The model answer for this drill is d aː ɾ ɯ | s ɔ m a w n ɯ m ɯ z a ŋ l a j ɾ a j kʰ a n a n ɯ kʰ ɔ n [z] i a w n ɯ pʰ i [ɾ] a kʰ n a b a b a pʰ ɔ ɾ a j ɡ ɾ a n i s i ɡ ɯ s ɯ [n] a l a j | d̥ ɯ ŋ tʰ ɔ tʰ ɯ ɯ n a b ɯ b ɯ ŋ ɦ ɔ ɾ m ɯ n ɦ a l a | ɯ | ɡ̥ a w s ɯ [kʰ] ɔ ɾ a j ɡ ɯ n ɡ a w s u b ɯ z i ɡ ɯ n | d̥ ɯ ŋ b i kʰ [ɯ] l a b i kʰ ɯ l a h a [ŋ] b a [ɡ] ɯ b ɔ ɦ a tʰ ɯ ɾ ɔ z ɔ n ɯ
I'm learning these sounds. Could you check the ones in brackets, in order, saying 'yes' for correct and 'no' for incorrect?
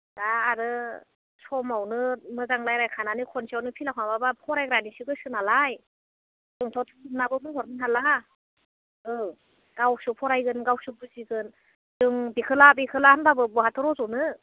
no, no, yes, no, yes, no, no

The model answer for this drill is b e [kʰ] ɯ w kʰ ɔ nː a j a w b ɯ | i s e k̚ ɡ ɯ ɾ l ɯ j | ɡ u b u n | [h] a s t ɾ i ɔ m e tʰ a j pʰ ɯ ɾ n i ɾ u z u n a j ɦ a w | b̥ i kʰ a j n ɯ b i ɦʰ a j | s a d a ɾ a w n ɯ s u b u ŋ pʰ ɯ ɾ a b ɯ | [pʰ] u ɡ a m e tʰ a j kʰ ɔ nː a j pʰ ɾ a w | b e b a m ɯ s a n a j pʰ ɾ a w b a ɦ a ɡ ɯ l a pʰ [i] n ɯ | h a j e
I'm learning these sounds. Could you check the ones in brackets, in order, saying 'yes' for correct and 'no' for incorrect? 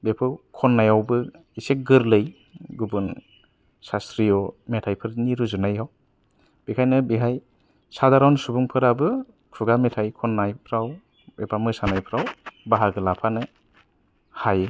no, no, no, no

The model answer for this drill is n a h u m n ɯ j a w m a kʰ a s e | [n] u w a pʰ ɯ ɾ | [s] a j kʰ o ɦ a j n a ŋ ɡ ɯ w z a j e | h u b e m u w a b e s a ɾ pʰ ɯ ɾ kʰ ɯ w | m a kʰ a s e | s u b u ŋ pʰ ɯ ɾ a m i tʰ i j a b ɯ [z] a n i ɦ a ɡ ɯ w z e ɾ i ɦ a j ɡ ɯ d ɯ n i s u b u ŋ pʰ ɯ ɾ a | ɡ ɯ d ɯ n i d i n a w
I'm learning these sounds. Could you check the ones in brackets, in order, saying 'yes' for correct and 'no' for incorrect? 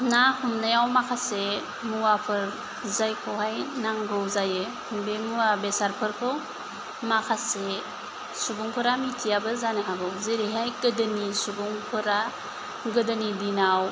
no, no, yes

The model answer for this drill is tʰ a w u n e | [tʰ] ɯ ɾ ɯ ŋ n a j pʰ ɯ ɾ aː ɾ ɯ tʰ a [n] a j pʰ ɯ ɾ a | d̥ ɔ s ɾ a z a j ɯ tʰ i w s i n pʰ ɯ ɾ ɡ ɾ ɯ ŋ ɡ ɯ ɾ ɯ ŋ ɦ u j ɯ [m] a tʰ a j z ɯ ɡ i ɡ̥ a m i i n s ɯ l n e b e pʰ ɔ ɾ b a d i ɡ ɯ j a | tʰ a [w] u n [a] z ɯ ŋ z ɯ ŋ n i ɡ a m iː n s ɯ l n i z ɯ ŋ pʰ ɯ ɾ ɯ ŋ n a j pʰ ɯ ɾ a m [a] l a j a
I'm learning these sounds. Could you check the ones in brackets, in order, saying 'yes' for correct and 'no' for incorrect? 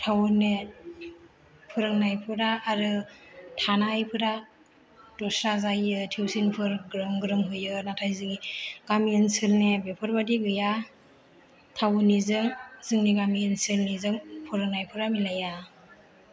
no, yes, no, yes, no, no

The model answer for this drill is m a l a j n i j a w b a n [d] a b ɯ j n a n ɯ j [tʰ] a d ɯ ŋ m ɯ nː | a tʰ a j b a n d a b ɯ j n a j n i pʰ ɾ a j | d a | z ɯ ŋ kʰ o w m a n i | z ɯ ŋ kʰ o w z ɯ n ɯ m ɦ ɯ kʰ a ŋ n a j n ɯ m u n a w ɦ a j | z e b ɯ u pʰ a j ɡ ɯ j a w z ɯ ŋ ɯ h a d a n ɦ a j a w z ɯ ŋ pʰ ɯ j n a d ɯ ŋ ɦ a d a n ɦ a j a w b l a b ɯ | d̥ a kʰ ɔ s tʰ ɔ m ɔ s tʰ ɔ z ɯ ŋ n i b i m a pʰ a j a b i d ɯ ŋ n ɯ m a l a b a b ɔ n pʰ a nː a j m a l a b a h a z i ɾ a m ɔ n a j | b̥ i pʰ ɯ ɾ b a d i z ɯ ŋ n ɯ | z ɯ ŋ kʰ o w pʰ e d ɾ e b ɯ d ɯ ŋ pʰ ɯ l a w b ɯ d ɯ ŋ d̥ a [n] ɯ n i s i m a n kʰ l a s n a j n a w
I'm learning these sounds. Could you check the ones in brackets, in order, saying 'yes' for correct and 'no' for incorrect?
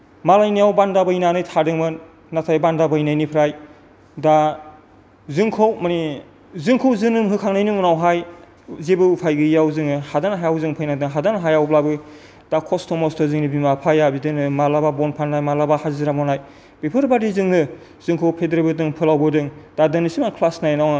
yes, yes, no

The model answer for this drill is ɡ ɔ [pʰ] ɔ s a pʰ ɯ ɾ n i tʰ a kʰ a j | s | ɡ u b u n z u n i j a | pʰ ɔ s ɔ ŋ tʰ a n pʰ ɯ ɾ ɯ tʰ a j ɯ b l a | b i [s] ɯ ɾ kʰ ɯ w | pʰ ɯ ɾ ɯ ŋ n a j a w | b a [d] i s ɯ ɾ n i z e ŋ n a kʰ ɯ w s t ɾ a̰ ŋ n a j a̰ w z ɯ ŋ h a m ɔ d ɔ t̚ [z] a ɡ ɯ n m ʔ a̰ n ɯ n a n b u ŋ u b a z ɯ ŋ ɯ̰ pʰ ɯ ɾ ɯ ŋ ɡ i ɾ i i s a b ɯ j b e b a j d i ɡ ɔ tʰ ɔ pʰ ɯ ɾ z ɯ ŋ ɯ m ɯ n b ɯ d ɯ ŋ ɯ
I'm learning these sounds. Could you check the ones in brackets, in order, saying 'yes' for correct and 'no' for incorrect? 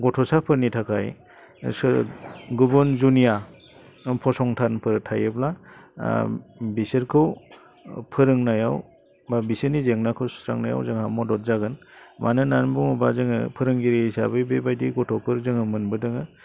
no, yes, no, yes

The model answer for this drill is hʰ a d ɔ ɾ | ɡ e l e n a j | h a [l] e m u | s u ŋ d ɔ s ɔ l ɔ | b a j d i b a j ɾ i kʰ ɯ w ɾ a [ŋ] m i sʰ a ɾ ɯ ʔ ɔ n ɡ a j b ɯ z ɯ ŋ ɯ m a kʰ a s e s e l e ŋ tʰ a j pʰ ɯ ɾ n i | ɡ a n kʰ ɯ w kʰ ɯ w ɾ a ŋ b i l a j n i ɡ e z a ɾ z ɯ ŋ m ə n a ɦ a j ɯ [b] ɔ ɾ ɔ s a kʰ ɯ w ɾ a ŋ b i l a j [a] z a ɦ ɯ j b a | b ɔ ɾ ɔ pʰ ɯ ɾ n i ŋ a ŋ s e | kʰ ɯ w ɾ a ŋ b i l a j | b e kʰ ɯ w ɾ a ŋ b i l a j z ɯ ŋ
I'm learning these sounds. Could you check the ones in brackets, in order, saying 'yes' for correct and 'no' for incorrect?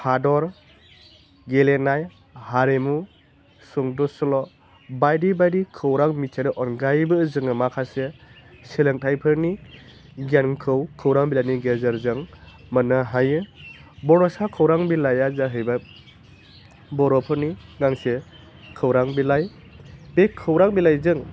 no, yes, yes, yes

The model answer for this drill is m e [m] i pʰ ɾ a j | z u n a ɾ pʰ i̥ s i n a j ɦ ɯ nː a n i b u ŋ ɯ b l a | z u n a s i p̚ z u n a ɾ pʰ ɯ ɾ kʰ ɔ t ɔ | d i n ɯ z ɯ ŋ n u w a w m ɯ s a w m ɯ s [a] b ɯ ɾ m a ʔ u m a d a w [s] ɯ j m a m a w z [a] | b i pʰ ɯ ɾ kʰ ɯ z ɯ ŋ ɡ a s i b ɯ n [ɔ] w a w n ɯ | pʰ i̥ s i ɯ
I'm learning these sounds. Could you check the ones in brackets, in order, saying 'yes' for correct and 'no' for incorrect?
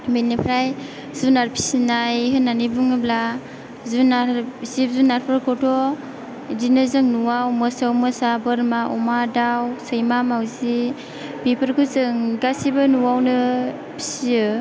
no, yes, yes, no, no

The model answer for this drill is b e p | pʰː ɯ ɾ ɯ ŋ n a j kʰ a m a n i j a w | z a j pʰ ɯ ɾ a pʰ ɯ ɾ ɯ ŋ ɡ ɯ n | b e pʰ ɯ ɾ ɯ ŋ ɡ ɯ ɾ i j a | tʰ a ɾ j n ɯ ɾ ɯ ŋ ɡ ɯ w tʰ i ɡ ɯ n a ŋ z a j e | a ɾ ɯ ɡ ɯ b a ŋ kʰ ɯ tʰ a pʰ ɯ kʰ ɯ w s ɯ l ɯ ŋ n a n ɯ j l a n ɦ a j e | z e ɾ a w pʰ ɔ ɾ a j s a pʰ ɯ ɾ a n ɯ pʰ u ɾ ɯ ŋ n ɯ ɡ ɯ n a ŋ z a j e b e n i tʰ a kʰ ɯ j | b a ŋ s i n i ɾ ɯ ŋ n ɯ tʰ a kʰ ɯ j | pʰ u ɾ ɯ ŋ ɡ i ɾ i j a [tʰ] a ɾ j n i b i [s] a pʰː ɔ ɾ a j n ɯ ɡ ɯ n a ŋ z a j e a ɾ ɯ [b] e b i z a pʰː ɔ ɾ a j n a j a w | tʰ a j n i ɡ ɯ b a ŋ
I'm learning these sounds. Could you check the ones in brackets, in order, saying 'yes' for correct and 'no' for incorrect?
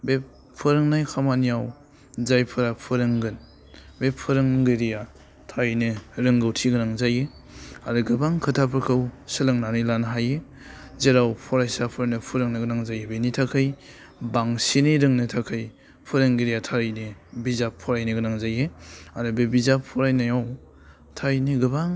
yes, no, yes

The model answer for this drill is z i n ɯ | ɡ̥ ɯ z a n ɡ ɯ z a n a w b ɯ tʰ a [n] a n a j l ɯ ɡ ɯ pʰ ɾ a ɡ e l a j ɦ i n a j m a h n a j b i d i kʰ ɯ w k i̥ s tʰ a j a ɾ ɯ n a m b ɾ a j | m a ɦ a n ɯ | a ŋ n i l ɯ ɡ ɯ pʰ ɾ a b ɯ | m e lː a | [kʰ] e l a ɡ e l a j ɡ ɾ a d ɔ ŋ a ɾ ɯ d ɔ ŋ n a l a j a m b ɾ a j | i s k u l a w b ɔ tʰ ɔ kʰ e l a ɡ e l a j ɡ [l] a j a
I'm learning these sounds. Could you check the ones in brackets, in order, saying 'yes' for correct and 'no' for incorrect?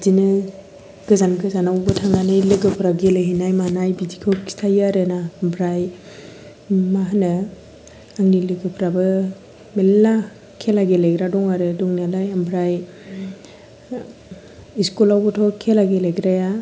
no, yes, no

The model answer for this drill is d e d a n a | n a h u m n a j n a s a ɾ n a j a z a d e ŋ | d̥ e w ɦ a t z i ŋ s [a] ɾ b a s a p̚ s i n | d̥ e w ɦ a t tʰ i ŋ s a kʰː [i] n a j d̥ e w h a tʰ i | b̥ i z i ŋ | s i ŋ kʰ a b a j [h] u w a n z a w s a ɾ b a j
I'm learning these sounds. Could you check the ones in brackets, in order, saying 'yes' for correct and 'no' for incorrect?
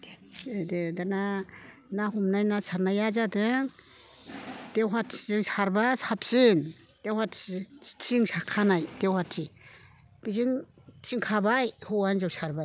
yes, no, yes

